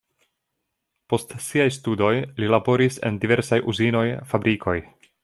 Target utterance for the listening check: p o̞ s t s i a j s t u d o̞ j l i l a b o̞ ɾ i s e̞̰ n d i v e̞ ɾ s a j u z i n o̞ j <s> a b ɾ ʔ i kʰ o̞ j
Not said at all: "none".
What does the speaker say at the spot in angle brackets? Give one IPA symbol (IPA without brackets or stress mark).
f